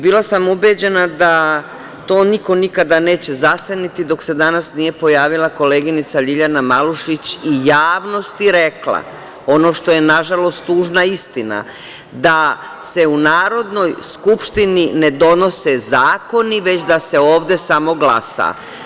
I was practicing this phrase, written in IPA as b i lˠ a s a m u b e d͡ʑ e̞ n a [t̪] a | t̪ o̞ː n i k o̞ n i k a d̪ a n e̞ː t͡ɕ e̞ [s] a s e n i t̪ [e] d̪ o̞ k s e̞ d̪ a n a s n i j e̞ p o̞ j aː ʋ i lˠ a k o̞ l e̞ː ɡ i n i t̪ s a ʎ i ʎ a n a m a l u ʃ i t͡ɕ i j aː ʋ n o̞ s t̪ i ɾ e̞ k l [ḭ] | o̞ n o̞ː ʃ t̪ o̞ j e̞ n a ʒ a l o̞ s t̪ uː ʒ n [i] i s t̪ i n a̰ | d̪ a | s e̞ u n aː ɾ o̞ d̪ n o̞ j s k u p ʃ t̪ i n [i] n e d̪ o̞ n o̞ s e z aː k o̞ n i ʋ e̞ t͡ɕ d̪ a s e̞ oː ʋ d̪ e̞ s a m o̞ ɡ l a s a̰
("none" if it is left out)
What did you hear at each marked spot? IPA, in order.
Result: d̪, z, i, a̰, a, i

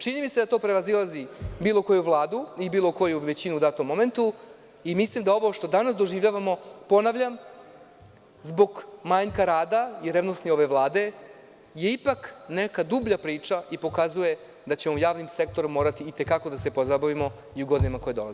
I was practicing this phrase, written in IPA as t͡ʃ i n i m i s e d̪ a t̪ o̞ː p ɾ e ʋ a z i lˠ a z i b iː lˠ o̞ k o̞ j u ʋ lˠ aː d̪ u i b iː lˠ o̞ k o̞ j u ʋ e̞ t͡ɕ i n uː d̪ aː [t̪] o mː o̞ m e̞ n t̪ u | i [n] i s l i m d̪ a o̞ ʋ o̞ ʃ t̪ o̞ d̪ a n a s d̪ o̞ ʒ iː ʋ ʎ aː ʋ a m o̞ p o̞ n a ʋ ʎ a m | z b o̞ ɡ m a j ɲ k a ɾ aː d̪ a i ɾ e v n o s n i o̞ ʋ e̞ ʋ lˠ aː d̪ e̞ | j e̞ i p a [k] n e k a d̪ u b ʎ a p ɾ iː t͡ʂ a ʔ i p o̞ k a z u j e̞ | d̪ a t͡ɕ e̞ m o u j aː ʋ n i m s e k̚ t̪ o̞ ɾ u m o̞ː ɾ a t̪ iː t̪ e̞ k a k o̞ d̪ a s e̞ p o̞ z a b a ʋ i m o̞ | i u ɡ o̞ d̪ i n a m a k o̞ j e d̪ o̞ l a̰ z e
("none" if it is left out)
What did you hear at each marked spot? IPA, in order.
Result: t̪, m, k

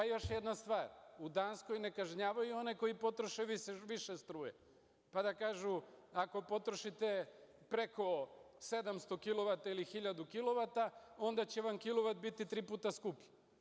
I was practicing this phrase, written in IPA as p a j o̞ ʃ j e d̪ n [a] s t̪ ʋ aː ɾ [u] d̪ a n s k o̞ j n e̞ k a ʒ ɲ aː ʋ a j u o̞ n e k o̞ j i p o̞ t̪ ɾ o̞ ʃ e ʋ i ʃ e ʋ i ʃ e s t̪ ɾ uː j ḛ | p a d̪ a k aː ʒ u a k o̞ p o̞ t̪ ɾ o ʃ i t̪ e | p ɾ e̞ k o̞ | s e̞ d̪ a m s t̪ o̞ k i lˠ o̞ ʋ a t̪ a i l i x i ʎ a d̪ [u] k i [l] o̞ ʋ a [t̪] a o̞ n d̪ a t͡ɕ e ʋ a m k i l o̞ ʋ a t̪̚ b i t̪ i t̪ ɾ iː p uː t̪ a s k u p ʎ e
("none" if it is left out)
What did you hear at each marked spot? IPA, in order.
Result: a, u, u, l, t̪

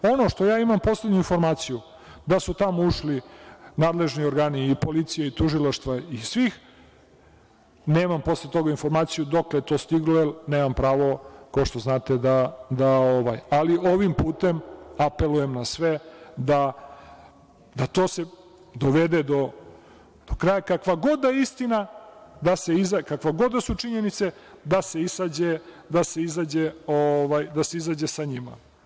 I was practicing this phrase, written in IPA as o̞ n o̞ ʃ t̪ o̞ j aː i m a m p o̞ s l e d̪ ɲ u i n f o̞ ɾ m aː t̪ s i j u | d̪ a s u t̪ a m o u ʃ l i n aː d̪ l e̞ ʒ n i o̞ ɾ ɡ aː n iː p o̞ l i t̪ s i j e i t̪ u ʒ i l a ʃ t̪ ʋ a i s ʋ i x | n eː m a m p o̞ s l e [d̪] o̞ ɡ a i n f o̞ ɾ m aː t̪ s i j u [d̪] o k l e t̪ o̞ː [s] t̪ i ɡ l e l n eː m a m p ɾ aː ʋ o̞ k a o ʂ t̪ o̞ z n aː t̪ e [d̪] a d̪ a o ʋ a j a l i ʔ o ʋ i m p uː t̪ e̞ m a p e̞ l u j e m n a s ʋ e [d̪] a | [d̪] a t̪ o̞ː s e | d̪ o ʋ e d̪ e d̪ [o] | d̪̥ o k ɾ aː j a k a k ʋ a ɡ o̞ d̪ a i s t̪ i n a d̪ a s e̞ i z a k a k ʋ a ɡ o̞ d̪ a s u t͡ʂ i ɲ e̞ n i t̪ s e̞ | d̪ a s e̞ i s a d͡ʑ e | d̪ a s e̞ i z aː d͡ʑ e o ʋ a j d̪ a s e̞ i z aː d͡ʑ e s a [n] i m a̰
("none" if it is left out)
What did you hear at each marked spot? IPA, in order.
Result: t̪, d̪, s, d̪, d̪, d̪, o, ɲ

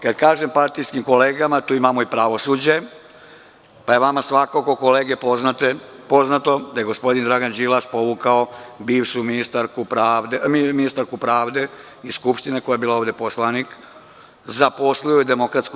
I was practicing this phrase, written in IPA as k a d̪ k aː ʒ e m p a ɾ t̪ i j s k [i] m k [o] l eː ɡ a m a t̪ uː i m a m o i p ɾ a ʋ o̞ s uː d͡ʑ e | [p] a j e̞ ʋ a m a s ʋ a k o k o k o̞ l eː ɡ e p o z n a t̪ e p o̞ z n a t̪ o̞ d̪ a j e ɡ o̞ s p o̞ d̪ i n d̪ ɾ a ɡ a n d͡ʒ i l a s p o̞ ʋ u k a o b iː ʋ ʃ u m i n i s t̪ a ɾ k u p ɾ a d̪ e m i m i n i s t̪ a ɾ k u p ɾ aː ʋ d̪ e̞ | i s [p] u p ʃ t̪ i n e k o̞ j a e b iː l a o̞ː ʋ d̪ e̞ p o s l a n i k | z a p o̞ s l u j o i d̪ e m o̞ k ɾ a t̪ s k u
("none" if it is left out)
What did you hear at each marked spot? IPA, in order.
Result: i, o, p, k

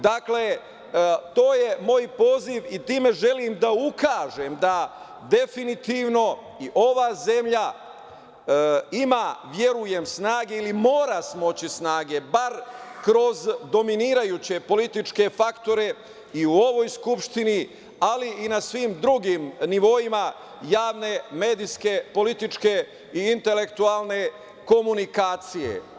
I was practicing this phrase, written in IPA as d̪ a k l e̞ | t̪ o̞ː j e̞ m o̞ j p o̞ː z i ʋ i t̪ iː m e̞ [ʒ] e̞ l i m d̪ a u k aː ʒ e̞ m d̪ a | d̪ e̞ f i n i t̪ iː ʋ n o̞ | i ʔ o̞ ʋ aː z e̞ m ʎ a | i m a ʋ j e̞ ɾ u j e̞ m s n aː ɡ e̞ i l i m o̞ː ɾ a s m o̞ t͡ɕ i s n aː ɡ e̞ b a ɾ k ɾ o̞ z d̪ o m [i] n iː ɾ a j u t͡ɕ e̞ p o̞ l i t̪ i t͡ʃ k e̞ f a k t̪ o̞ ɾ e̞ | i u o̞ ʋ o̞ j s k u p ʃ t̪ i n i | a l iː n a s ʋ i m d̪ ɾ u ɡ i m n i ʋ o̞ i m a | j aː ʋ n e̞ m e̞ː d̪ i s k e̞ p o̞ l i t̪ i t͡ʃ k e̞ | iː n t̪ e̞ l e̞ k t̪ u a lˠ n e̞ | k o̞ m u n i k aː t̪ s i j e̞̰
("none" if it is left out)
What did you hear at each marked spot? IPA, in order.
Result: ʒ, i

